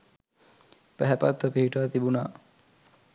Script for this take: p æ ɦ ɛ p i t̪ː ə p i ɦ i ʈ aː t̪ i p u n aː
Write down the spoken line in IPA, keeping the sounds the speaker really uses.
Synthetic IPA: p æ ɦ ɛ p a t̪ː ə p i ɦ i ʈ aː t̪ i b u n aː